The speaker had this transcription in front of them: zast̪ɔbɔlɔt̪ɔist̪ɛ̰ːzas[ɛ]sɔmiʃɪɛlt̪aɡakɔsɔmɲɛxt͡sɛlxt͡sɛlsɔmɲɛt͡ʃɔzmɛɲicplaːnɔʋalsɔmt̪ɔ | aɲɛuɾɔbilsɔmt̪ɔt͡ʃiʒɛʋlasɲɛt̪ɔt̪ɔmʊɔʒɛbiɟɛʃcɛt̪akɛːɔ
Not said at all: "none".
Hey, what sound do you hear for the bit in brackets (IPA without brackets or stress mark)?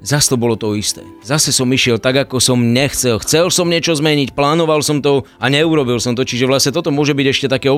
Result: ɛ